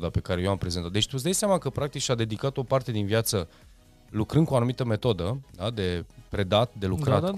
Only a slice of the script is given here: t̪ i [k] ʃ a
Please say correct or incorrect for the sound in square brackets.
correct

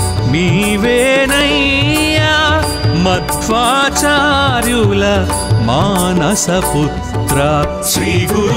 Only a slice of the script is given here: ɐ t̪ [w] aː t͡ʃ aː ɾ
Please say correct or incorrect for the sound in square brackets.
incorrect: ʋ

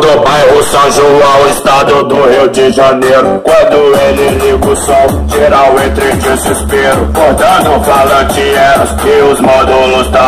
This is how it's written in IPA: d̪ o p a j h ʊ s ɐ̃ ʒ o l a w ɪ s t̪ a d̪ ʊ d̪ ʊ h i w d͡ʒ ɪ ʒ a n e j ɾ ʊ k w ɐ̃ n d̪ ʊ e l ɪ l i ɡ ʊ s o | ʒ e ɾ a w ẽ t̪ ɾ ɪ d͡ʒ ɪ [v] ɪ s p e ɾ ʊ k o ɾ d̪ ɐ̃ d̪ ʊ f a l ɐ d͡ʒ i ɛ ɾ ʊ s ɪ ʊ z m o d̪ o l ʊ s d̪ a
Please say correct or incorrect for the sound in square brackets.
incorrect: z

